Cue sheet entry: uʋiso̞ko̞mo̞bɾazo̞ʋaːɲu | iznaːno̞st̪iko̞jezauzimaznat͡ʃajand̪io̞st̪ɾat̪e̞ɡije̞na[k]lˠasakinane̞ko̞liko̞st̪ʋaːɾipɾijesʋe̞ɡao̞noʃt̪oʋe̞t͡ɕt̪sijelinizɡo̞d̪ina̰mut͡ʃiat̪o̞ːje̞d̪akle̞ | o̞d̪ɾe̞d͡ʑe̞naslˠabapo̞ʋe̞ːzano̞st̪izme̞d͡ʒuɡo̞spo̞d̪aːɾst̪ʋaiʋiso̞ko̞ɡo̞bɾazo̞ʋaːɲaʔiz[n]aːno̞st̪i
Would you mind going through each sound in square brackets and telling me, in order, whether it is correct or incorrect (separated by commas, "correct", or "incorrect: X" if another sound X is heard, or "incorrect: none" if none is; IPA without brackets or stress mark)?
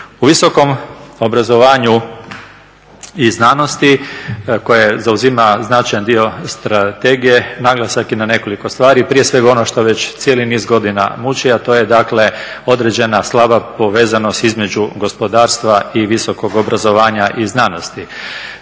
incorrect: ɡ, correct